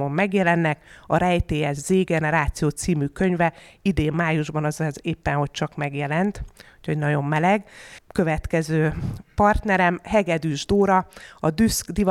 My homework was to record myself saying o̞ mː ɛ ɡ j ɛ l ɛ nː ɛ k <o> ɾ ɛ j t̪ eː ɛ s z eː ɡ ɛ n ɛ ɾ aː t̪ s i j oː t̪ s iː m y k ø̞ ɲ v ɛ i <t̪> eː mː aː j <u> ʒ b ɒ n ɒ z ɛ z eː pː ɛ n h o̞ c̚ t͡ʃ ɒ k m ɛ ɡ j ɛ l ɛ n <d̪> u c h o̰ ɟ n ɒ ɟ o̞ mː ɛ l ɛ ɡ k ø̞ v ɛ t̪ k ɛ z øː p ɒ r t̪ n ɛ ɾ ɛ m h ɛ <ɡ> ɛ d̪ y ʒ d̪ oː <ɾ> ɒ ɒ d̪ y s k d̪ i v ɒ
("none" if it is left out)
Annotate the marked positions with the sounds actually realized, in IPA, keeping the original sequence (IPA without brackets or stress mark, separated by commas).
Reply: ɒ, d̪, u, t̪, ɡ, ɾ